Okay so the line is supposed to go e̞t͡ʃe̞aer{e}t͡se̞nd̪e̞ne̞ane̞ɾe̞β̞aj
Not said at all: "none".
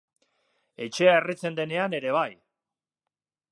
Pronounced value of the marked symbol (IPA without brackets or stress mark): i